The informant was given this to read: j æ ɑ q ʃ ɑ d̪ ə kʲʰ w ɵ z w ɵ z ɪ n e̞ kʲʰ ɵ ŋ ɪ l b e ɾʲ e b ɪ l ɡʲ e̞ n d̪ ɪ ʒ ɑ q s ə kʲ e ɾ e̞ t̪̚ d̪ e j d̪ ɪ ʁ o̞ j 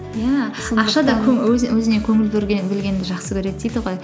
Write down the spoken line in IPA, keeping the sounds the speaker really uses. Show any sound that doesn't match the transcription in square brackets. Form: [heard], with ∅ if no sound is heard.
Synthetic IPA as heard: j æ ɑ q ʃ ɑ d̪ [ɑ] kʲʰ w ɵ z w ɵ z ɪ n e̞ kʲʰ ɵ ŋ ɪ l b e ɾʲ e b ɪ l ɡʲ e̞ n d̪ ɪ ʒ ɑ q s ə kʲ e ɾ e̞ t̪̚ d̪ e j d̪ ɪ ʁ o̞ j